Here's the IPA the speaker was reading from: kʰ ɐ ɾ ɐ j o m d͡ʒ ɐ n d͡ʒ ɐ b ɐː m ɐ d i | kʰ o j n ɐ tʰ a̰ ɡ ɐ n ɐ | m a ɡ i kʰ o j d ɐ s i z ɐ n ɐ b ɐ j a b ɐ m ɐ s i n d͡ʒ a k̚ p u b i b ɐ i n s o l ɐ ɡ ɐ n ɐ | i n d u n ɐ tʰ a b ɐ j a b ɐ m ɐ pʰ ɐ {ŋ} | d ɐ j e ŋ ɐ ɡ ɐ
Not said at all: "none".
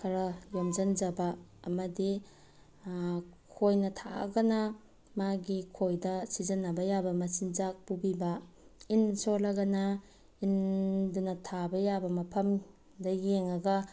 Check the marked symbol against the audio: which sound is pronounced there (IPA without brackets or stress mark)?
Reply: m